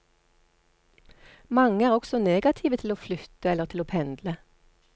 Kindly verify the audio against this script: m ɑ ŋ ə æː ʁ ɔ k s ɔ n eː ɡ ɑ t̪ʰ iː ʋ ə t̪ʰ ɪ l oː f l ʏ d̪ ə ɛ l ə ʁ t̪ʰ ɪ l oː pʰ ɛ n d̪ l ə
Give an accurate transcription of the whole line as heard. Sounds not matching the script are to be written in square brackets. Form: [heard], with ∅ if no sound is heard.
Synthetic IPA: m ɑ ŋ ə æː ʁ ɔ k s ɔ n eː ɡ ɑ t̪ʰ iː ʋ ə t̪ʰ ɪ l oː f l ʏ [t̪] ə ɛ l ə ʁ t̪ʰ ɪ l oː pʰ ɛ n d̪ l ə